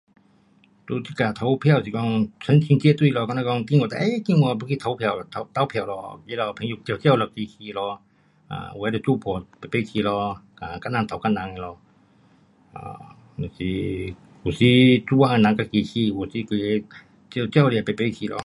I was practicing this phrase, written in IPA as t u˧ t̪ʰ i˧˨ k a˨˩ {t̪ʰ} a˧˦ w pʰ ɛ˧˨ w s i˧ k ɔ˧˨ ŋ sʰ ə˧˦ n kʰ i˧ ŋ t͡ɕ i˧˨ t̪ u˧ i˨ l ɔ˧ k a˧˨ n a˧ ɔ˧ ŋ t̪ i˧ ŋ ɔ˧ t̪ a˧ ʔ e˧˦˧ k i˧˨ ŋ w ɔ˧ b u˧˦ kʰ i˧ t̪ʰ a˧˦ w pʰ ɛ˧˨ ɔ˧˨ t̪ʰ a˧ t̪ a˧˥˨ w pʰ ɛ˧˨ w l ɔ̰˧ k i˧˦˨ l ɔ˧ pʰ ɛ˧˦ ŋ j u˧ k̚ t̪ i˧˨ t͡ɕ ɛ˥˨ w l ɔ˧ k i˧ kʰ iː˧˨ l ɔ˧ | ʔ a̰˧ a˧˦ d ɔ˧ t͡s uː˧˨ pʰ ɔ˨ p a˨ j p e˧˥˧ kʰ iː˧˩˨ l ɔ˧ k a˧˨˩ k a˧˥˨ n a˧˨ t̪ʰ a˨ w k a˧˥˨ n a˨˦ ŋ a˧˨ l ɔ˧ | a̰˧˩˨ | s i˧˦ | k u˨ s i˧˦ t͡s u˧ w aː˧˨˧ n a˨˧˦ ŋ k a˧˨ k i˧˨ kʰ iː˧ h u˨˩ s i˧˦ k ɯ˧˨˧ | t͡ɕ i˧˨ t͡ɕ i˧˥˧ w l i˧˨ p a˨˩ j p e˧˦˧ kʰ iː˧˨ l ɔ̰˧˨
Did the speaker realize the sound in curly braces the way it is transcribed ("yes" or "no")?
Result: yes